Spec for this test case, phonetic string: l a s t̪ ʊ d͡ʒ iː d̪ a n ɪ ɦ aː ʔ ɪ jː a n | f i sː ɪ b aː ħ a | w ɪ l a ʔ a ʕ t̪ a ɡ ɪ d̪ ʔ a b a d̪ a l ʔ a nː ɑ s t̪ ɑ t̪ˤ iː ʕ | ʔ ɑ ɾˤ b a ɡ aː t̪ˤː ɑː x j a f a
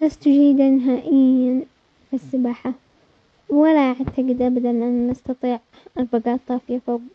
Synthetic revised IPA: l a s t̪ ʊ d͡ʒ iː d̪ a n ɪ ɦ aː ʔ ɪ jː a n | f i sː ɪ b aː ħ a | w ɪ l a ʔ a ʕ t̪ a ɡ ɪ d̪ ʔ a b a d̪ a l ʔ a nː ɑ s t̪ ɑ t̪ˤ iː ʕ | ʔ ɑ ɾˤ b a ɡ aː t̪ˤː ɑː f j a f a